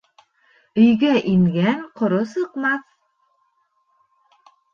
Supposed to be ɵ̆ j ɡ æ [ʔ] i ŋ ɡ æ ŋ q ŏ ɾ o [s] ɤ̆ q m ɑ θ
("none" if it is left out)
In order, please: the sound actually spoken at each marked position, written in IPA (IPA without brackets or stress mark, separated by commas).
ʔ, s